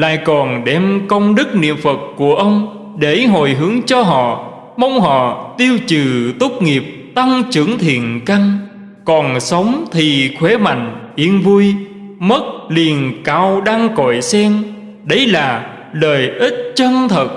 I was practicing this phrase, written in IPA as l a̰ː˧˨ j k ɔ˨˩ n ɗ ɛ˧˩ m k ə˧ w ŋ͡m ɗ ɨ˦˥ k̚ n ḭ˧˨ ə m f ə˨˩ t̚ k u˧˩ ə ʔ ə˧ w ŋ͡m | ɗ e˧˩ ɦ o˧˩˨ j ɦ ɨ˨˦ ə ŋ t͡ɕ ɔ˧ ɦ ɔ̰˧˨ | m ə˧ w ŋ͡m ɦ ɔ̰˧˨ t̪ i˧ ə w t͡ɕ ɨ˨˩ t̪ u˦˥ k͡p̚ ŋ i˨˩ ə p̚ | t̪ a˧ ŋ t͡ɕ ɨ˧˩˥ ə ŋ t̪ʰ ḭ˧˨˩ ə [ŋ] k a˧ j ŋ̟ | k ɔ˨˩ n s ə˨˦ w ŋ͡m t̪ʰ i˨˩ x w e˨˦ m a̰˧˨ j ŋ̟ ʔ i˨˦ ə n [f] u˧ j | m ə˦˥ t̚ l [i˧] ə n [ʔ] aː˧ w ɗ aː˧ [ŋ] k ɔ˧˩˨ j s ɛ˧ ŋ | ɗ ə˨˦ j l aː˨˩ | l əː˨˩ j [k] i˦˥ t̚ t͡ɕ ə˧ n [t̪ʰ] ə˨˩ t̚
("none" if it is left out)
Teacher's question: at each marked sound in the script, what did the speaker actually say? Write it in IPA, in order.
n, v, i˨˩, k, ŋ, ʔ, t̪ʰ

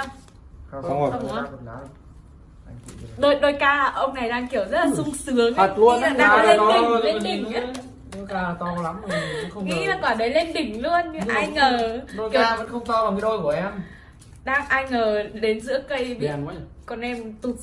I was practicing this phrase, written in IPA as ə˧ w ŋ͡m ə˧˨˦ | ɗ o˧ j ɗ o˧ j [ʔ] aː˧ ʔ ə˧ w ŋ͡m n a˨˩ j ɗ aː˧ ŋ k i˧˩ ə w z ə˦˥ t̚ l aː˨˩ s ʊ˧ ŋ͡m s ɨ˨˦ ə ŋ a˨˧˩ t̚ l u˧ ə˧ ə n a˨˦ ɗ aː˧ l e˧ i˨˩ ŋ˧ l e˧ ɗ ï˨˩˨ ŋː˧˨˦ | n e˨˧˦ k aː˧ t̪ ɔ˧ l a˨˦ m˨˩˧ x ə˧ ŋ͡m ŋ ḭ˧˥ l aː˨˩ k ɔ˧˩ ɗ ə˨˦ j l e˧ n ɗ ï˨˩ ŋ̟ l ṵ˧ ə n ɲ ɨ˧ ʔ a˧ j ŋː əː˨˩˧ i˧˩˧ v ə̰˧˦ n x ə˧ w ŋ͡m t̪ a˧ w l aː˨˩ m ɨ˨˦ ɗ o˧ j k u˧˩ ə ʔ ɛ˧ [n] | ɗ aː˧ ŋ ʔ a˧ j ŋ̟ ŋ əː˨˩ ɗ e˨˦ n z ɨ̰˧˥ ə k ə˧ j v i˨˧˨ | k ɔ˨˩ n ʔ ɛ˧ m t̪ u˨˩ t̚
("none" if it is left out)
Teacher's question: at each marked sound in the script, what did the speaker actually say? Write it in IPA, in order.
k, m

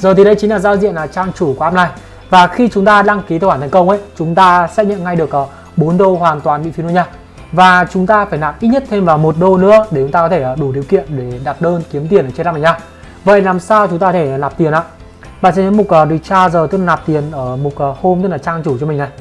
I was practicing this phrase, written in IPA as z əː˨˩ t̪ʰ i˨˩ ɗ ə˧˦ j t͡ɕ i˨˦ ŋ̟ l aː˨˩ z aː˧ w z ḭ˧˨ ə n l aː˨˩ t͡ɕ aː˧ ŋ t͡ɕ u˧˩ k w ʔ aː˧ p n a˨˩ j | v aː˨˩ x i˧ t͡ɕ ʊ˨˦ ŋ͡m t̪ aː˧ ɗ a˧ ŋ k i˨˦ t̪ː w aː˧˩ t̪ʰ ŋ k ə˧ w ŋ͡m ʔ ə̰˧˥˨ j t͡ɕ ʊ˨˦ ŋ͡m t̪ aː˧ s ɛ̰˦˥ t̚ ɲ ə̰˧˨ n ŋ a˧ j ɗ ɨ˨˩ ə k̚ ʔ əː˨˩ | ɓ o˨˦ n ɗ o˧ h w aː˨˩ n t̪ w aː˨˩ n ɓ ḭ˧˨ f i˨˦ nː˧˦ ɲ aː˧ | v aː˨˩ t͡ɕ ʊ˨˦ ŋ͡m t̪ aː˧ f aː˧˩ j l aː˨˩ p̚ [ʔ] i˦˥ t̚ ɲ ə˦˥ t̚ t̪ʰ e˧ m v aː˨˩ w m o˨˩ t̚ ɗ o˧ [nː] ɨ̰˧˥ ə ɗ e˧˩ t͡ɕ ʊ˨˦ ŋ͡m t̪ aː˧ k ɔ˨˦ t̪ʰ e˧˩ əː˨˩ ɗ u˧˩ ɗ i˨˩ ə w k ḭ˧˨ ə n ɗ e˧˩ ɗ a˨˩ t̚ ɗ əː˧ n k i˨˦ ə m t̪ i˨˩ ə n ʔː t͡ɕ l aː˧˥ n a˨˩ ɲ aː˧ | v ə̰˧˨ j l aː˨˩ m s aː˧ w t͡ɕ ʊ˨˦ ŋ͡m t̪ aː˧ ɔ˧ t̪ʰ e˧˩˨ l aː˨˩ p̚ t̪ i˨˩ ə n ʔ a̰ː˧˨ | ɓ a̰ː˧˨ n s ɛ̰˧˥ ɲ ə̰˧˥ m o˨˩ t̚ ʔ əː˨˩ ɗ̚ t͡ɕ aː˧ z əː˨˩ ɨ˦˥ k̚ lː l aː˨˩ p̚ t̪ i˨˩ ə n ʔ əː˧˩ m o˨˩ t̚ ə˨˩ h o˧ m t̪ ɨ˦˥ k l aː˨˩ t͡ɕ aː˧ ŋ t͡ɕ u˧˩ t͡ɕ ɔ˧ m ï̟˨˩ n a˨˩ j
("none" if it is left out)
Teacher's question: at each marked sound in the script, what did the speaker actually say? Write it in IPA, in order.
ʔ, n

